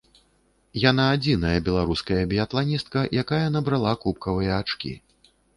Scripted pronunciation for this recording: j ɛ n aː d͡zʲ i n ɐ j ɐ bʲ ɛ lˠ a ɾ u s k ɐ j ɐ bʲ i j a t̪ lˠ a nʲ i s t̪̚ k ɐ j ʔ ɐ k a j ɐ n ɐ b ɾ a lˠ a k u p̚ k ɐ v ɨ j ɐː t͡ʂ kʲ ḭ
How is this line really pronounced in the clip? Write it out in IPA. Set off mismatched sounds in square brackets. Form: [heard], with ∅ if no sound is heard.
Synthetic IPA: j [a] n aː d͡zʲ i n ɐ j ɐ bʲ ɛ lˠ a ɾ u s k ɐ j ɐ bʲ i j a t̪ lˠ a nʲ i s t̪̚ k ɐ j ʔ [a] k a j ɐ n ɐ b ɾ a lˠ a k u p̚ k ɐ v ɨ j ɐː t͡ʂ kʲ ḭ